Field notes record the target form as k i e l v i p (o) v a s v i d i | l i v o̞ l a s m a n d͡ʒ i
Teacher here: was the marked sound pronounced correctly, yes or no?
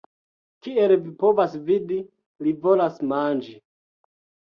yes